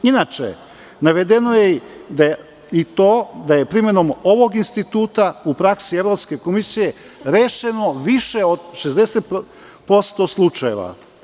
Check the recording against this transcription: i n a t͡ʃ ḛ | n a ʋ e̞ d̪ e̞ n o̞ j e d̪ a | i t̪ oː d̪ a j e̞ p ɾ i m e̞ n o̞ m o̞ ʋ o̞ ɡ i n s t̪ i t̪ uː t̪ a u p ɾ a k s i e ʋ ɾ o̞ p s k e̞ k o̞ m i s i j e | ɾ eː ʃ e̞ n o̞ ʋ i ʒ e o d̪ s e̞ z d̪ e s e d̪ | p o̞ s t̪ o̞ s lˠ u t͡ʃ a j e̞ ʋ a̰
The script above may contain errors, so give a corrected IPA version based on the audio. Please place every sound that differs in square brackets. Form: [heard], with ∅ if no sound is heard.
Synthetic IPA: i n a t͡ʃ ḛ | n a ʋ e̞ d̪ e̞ n o̞ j e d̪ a | i t̪ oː d̪ a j e̞ p ɾ i m e̞ n o̞ m o̞ ʋ o̞ ɡ i n s t̪ i t̪ uː t̪ a u p ɾ a k s i e ʋ ɾ o̞ p s k e̞ k o̞ m i s i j e | ɾ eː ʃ e̞ n o̞ ʋ i [ʃ] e o d̪ [ʃ] e̞ z d̪ e s e [t̪] | p o̞ s t̪ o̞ s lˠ u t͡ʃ a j e̞ ʋ a̰